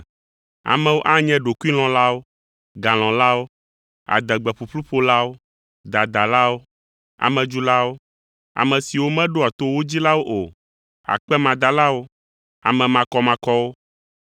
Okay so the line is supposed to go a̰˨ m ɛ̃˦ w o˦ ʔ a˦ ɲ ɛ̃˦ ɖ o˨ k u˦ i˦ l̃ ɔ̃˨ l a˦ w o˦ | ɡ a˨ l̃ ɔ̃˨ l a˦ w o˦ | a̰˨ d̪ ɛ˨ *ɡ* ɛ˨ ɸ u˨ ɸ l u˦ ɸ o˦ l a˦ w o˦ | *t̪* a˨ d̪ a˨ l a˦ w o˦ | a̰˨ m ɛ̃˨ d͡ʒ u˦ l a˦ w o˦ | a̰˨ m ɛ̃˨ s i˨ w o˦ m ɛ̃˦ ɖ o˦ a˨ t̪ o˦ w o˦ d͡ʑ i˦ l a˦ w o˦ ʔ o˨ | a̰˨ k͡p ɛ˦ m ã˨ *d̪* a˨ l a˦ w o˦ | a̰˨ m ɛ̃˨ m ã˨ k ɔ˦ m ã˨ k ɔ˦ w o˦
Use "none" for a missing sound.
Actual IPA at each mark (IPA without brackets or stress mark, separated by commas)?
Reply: ɡ͡b, d̪, d̪